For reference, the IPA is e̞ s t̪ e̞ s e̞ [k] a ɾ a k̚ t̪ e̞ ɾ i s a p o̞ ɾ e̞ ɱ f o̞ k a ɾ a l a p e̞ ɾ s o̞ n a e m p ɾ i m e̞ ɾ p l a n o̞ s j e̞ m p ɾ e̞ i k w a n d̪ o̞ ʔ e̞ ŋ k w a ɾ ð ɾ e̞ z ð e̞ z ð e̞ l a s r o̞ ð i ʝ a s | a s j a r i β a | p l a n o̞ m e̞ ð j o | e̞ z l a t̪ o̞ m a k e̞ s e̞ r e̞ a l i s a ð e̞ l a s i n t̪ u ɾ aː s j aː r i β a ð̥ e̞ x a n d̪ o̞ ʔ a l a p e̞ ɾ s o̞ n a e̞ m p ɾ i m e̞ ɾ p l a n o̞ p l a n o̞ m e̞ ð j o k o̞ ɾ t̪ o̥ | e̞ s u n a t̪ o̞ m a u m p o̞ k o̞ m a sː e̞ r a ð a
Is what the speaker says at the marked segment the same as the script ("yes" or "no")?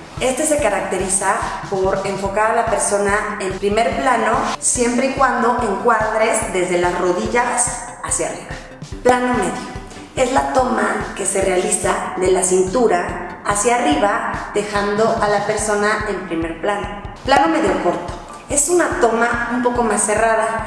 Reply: yes